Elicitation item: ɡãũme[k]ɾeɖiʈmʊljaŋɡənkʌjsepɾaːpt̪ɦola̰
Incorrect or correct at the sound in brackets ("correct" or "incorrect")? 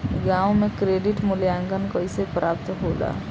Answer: correct